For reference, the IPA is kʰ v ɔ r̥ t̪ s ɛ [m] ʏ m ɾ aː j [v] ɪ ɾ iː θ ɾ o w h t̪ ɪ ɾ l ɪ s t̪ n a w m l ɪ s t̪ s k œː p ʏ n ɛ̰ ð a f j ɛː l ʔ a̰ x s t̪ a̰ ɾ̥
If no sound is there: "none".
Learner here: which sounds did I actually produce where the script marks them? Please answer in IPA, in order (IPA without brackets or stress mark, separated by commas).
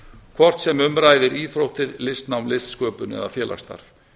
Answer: m, ð